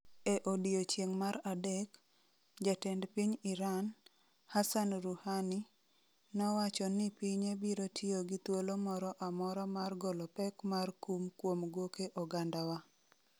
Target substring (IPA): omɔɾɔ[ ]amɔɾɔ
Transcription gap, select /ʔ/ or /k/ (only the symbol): ʔ